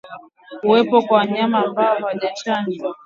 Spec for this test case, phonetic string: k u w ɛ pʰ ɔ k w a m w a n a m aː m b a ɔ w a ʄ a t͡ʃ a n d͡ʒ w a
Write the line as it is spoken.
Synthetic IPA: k u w ɛ p ɔ k w a w a ɲ a m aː m b a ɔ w a ʄ a t͡ʃ a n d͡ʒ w a